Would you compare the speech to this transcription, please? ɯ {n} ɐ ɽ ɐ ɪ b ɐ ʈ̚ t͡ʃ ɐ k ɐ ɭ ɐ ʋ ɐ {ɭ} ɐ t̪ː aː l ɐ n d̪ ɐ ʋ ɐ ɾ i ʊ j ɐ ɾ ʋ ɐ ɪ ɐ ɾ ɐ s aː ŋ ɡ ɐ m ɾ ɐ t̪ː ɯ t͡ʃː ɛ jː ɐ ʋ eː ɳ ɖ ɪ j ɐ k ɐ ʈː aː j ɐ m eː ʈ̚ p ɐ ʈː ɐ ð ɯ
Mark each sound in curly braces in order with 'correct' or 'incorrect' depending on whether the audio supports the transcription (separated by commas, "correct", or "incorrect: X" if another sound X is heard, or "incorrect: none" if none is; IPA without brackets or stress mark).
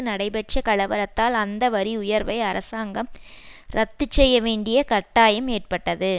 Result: correct, incorrect: ɾ